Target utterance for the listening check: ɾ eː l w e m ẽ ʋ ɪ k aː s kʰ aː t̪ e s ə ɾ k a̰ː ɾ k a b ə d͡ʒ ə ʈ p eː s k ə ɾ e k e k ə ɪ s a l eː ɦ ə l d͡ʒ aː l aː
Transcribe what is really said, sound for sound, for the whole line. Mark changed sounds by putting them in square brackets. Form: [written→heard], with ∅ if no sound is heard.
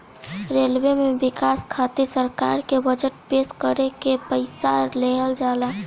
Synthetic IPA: ɾ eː l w e m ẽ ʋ ɪ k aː s kʰ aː t̪ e s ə ɾ k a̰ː ɾ k [a→e] b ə d͡ʒ ə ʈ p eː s k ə ɾ e k e [k→p] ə ɪ s a l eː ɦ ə l d͡ʒ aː l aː